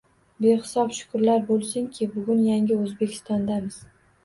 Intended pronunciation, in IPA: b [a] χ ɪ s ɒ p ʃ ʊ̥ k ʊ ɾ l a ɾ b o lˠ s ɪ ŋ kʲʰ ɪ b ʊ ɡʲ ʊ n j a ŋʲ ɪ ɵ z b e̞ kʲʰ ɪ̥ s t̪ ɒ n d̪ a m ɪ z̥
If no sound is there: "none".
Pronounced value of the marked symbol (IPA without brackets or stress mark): e